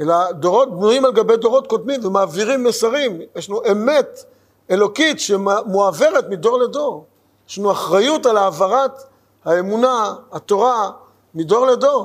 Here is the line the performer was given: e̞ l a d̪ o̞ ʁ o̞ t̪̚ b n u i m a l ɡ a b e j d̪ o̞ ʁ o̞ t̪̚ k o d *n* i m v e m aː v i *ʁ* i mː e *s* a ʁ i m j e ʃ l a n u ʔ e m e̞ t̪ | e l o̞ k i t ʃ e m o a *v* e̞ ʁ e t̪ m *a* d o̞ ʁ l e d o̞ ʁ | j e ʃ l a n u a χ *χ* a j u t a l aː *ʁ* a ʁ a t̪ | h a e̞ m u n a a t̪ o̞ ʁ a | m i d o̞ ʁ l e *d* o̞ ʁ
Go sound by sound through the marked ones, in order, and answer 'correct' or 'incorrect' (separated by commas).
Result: incorrect, correct, correct, correct, incorrect, incorrect, incorrect, correct